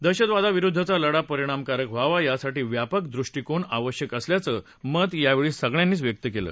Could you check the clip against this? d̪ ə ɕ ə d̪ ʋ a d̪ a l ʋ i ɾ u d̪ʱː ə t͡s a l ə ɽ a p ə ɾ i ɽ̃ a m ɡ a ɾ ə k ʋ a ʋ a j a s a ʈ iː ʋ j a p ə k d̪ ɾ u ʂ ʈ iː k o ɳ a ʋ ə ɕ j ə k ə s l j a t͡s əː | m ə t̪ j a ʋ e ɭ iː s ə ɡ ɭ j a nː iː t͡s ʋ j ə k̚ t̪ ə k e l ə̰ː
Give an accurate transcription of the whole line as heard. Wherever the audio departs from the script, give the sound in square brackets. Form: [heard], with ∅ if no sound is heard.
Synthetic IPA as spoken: d̪ ə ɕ ə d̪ ʋ a d̪ a [∅] ʋ i ɾ u d̪ʱː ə t͡s a l ə ɽ a p ə ɾ i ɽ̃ a m [k] a ɾ ə k ʋ a ʋ a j a s a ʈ iː ʋ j a p ə k d̪ ɾ u ʂ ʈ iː k o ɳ a ʋ ə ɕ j ə k ə s l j a t͡s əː | m ə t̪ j a ʋ e ɭ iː s ə ɡ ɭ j a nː iː t͡s ʋ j ə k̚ t̪ ə k e l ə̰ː